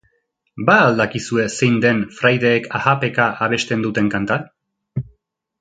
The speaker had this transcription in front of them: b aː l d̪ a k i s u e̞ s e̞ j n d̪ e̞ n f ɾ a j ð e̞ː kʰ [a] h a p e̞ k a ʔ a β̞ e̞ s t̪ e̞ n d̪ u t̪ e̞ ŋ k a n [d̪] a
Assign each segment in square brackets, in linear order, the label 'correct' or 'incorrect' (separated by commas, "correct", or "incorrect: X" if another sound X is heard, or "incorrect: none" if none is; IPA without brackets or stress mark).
correct, incorrect: t̪